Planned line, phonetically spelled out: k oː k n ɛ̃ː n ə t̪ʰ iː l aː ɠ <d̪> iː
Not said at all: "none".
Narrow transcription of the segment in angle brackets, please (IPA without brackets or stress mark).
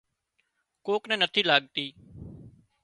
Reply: t̪